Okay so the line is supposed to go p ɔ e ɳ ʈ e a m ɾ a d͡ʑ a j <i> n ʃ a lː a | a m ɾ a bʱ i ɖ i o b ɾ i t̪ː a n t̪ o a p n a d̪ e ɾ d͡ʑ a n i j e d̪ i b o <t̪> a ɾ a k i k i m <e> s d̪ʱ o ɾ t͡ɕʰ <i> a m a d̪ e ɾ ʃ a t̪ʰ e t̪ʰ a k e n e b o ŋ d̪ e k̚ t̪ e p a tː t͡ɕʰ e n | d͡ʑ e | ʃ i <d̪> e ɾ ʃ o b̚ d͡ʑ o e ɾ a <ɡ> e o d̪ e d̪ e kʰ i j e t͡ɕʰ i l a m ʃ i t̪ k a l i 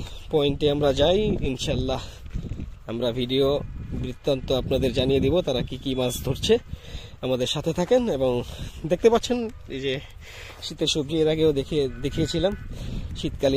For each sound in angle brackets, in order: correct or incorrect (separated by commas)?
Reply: correct, correct, incorrect, incorrect, incorrect, correct